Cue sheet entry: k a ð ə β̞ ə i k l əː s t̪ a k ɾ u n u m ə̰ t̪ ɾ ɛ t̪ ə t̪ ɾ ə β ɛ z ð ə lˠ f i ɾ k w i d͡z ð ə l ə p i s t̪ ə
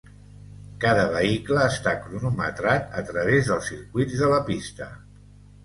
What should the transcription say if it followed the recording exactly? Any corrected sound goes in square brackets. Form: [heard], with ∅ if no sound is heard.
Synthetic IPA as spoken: k a ð ə β̞ ə i k l əː s t̪ a k ɾ u n u m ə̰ t̪ ɾ [a] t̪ ə t̪ ɾ ə β [e] z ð ə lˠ [s] i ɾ k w i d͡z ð ə l ə p i s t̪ ə